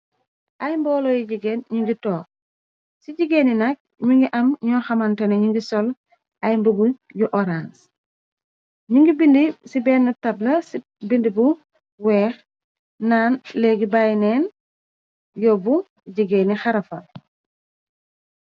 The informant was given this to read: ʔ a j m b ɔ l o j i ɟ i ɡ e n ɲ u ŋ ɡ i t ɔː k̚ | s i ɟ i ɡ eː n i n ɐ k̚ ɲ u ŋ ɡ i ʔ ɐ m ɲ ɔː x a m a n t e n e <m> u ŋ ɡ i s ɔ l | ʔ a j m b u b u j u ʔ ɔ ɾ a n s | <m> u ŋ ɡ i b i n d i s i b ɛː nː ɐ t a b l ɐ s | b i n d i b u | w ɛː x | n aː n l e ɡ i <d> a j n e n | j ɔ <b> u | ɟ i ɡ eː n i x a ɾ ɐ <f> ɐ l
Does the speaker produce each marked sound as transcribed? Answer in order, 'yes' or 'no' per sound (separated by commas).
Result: no, no, no, yes, yes